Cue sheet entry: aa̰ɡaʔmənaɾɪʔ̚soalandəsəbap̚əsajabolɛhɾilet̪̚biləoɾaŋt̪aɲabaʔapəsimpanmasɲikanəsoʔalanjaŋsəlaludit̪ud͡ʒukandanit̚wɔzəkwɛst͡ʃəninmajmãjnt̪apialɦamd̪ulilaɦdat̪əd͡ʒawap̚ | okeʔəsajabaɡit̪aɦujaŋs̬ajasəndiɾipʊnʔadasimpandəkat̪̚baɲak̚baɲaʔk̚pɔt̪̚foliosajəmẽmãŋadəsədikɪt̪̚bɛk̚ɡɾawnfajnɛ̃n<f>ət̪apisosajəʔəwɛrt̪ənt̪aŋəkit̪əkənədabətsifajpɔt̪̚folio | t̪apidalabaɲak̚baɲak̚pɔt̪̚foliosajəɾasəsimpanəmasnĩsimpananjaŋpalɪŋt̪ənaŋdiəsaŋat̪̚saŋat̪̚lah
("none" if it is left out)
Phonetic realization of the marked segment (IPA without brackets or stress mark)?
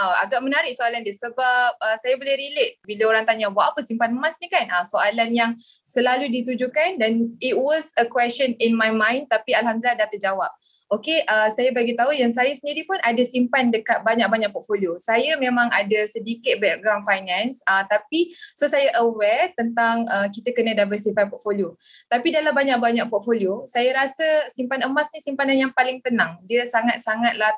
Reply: s